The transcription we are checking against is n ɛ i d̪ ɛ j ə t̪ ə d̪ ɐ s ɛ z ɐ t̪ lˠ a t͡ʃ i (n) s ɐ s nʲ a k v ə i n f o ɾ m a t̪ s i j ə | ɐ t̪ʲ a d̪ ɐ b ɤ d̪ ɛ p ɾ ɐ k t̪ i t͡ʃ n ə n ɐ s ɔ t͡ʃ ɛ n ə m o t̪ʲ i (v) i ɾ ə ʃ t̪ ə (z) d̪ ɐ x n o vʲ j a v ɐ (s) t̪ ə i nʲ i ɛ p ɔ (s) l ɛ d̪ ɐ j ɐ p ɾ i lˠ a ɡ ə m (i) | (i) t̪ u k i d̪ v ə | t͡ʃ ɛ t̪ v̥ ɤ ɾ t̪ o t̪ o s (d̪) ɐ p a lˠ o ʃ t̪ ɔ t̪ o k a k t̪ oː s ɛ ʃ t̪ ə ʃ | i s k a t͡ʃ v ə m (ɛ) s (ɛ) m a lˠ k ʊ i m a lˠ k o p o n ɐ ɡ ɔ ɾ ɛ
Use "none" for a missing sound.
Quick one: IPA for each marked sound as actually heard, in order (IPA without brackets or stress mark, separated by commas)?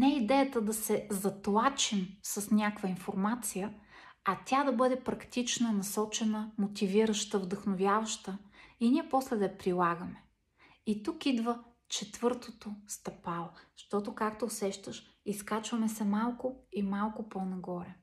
m, v, v, ʃ, s, ɛ, i, t̪, ɛ, ɛ